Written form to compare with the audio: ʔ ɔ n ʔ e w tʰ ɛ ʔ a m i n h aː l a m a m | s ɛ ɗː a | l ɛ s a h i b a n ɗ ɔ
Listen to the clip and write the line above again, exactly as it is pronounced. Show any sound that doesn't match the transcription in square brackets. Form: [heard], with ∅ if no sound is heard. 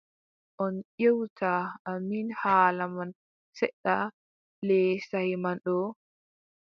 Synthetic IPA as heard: ʔ ɔ n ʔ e w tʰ [a] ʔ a m i n h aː l a m a [n] | s ɛ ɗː a | l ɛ s a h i [m] a n ɗ ɔ